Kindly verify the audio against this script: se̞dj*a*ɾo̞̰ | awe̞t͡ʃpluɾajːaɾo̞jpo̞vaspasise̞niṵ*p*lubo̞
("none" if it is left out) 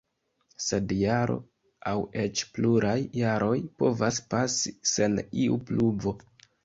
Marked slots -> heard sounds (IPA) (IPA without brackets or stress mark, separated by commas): a, p